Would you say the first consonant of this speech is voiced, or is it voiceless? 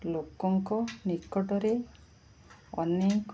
voiced